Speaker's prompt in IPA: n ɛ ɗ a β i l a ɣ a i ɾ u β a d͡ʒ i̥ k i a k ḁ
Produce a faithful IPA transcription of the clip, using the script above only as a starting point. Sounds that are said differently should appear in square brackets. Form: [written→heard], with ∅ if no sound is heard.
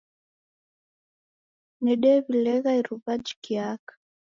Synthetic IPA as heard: n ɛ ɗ [a→ɛ] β i l [a→ɛ] ɣ a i ɾ u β a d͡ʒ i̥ k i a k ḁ